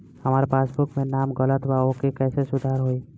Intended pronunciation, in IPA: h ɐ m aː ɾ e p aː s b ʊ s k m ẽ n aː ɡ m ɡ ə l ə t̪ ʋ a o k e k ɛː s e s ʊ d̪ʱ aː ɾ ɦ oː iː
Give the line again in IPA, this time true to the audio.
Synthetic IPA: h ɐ m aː ɾ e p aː s b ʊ k m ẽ n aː m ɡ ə l ə t̪ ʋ a o k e k ɛː s e s ʊ d̪ʱ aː ɾ ɦ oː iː